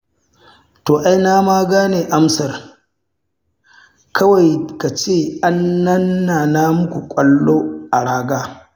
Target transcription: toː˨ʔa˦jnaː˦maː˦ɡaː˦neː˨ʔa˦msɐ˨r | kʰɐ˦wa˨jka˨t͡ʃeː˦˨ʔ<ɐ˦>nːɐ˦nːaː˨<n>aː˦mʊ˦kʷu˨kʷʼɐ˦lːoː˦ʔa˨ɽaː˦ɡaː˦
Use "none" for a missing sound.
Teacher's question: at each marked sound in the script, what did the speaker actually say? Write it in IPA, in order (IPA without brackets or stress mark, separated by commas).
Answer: a˦, n